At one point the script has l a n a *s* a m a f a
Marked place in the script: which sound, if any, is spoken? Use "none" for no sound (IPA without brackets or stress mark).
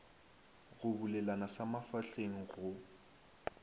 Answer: s